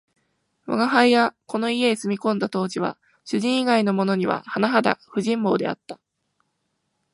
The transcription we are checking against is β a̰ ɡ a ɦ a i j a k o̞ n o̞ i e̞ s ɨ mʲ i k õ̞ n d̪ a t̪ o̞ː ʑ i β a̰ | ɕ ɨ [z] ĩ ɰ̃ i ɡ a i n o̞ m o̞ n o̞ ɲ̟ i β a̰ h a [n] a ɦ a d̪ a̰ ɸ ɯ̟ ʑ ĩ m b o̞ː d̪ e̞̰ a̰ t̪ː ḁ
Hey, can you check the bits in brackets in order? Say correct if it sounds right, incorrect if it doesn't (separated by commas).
incorrect, correct